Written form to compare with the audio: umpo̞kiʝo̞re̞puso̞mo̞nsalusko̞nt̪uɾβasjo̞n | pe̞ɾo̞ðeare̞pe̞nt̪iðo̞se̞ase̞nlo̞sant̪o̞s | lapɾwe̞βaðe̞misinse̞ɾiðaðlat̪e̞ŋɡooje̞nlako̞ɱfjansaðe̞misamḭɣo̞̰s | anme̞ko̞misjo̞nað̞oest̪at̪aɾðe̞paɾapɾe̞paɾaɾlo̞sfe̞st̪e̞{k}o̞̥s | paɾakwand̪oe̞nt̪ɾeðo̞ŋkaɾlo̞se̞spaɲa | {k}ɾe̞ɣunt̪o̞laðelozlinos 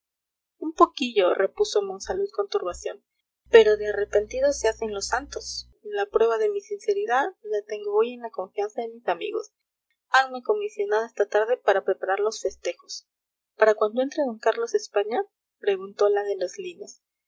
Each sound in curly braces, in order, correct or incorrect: incorrect: x, incorrect: p

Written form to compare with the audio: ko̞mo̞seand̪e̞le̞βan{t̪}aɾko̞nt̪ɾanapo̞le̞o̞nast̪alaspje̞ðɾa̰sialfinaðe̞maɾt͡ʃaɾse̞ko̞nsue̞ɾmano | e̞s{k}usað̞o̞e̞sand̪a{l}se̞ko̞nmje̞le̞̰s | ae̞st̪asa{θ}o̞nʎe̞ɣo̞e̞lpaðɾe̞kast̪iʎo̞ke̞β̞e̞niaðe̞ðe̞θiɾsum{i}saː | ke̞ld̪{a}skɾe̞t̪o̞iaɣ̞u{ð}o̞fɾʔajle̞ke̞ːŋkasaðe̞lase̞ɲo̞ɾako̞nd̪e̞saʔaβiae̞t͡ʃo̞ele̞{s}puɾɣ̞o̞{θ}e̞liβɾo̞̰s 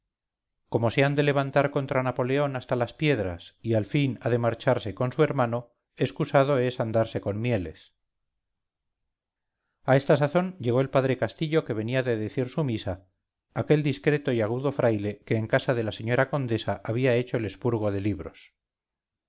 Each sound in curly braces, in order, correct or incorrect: correct, correct, incorrect: ɾ, correct, correct, incorrect: i, correct, correct, incorrect: ð

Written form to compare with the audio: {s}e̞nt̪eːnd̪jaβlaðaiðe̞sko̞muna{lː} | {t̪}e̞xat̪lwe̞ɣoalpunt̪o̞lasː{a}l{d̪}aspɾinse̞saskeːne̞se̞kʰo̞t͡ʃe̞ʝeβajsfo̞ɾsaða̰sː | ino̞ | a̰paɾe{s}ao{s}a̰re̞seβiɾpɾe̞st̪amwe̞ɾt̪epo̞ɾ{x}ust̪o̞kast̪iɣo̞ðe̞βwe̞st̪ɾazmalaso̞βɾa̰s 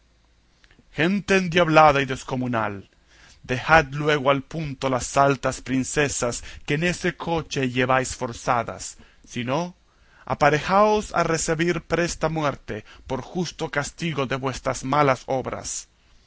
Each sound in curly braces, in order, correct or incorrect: incorrect: x, incorrect: l, incorrect: d̪, correct, incorrect: t̪, incorrect: x, correct, correct

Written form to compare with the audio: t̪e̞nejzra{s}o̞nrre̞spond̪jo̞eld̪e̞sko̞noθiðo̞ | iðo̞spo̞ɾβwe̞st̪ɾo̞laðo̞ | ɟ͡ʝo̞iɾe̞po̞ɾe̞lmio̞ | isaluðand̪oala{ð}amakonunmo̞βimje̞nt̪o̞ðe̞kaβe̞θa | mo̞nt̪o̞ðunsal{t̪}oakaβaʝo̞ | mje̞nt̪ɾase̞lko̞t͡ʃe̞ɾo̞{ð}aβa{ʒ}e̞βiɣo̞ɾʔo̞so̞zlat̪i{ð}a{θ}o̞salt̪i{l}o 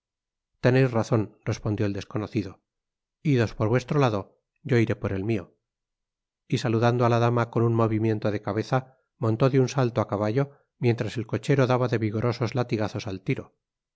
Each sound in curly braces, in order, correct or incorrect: incorrect: θ, correct, correct, correct, incorrect: ð, incorrect: ɣ, correct, incorrect: ɾ

